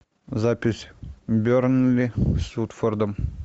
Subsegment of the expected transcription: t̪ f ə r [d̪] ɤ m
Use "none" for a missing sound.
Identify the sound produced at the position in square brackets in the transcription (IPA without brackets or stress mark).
d̪